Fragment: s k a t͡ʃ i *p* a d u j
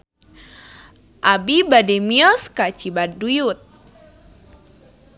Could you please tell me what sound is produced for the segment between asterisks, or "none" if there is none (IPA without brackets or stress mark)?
b